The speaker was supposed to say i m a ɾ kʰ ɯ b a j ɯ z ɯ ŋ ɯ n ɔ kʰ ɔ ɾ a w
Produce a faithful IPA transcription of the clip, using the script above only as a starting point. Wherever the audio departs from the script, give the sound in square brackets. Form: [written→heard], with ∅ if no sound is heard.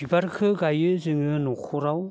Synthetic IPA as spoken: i [m→b] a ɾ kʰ ɯ [b→ɡ] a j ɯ z ɯ ŋ ɯ n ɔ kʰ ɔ ɾ a w